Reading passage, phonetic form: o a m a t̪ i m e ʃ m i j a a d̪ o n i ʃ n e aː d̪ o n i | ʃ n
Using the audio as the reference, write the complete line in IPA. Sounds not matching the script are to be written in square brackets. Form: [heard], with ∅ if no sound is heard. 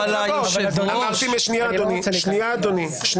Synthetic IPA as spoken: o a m a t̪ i m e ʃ [n] i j a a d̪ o n i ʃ n [i] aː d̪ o n i | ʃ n